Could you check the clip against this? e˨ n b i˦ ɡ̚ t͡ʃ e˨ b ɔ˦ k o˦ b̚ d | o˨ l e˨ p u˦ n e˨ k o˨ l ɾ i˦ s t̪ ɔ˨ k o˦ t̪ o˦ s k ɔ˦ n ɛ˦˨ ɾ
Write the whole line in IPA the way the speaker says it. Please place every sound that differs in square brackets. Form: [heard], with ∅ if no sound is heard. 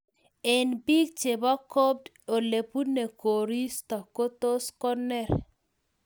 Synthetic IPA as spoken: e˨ n b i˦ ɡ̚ t͡ʃ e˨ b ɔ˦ k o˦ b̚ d | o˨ l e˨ p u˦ n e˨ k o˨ [∅] ɾ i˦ s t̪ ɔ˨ k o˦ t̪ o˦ s k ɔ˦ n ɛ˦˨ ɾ

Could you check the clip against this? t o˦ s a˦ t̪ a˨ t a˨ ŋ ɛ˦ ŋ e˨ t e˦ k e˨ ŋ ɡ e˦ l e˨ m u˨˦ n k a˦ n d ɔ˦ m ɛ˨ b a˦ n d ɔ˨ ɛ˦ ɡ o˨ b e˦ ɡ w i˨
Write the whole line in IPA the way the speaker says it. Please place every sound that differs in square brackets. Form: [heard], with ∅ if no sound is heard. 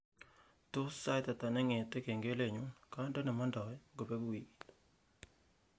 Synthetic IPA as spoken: t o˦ s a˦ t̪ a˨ t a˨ [n] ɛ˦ ŋ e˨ t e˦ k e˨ ŋ ɡ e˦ l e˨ [ɲ] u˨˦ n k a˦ n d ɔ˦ [n] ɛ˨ [m] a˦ n d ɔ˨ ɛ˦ ɡ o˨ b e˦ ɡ w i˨

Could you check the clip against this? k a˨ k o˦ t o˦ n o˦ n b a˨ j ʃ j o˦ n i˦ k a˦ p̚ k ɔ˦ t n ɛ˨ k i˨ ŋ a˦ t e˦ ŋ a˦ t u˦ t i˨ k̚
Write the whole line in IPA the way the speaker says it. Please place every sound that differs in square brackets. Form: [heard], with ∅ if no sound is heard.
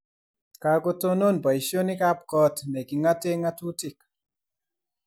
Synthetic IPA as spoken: k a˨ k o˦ t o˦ n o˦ n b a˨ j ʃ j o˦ n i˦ k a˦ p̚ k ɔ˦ t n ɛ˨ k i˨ ŋ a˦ t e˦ ŋ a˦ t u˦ t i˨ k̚

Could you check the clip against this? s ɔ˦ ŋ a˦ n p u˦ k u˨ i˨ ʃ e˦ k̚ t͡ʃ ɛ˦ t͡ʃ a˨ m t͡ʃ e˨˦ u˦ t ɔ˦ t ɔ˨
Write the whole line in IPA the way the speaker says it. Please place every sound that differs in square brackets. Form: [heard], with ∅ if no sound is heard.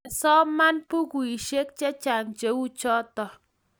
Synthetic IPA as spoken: s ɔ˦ [m] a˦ n p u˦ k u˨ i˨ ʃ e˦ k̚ t͡ʃ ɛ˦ t͡ʃ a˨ [ŋ] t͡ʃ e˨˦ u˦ [t͡ʃ] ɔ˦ t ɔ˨

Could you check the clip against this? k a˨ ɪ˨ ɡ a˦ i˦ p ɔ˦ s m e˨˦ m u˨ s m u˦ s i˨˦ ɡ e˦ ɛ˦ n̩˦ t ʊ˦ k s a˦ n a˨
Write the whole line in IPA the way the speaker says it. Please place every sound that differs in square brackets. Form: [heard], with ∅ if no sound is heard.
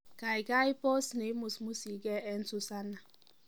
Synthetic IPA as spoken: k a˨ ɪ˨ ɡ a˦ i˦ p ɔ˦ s [n] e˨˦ m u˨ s m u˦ s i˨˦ ɡ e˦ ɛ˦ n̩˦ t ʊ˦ [∅] s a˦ n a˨

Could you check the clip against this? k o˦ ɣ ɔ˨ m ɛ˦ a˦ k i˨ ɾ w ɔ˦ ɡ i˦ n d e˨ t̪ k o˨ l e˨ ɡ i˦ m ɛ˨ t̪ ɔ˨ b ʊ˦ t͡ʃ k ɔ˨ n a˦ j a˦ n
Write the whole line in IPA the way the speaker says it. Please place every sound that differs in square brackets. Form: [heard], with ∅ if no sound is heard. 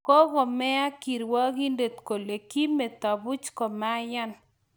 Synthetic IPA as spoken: k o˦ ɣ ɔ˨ m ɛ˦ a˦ k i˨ ɾ w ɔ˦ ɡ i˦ n d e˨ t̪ k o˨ l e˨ [k] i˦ m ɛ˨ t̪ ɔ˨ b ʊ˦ t͡ʃ k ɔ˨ [m] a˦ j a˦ n

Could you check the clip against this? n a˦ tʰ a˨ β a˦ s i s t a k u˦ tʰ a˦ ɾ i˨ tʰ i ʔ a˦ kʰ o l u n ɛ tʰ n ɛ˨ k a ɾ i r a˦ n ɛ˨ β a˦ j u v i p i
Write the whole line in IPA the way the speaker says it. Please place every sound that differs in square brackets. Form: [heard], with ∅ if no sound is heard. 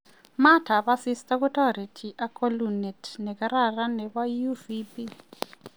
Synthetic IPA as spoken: [m] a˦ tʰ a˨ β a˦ s i s t a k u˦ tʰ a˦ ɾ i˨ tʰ i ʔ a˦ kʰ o l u n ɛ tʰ n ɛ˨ k a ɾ [a] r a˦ n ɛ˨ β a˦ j u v i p i

